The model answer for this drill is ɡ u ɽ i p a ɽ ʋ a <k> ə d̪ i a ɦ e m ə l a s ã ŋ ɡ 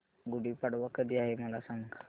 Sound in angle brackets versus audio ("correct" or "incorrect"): correct